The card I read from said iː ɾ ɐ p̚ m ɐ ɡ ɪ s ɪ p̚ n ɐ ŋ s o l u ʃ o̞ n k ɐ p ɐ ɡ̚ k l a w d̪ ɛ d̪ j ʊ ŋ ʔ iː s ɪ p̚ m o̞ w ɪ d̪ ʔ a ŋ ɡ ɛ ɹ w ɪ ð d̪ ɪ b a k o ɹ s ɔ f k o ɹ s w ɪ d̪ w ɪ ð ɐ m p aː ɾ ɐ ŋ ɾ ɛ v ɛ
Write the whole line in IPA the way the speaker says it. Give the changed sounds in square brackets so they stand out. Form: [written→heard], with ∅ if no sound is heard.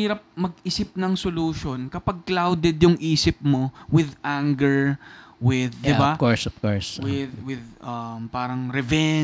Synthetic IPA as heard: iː ɾ ɐ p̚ m ɐ ɡ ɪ s ɪ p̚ n ɐ ŋ s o l u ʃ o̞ n k ɐ p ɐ ɡ̚ k l a w d̪ ɛ d̪ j ʊ ŋ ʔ iː s ɪ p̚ m o̞ w ɪ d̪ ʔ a ŋ ɡ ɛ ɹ w ɪ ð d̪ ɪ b a k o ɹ s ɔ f k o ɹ s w ɪ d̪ w ɪ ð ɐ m p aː ɾ ɐ ŋ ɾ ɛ v ɛ